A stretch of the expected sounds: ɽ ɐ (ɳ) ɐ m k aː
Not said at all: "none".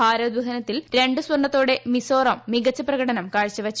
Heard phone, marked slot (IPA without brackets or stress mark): n